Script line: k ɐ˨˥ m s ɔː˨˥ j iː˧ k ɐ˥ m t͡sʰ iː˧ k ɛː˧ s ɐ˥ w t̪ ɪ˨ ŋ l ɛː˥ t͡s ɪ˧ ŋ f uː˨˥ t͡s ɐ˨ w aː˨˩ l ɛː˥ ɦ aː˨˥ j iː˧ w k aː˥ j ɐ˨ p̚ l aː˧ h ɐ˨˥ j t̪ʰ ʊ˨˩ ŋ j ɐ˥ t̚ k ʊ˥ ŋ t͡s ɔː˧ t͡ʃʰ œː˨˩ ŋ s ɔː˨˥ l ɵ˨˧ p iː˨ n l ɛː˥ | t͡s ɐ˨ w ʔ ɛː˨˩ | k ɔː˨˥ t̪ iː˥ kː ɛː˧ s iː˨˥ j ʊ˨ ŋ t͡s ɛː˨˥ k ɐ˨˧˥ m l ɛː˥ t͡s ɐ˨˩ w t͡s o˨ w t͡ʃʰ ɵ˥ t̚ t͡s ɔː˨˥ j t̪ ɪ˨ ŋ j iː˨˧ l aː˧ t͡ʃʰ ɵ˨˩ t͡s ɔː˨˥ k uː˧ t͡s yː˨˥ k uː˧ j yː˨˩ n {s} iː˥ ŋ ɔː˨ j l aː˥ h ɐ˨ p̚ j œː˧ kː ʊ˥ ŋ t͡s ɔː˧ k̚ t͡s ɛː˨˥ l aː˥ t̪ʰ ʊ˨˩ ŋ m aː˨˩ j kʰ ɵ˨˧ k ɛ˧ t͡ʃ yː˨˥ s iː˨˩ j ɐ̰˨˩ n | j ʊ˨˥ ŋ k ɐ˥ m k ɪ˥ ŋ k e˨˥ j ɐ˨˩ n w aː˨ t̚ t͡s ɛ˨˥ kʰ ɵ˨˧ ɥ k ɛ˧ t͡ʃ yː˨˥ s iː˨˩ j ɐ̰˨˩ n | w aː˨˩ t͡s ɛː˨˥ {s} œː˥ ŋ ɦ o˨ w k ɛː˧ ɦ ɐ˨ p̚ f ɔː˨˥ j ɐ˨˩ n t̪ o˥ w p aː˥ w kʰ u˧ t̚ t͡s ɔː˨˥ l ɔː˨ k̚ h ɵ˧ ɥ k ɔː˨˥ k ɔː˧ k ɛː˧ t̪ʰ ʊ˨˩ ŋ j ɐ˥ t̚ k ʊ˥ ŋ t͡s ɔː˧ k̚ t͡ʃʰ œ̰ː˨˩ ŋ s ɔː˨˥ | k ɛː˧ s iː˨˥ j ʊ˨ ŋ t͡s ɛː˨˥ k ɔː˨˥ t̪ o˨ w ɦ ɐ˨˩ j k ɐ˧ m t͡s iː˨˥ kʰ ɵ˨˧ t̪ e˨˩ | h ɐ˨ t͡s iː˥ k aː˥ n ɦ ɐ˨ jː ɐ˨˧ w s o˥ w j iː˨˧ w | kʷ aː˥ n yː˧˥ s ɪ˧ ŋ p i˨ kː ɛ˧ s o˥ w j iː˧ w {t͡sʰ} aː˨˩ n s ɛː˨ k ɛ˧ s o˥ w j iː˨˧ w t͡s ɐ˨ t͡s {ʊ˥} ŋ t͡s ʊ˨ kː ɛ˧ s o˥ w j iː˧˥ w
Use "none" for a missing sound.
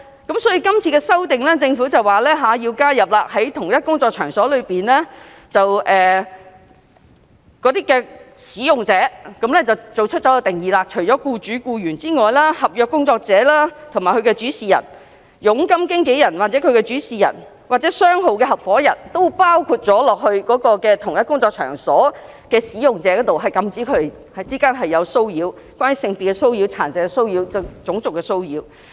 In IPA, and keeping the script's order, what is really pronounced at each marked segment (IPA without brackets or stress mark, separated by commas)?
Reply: t͡s, s, t͡sʰ, ʊ˨˥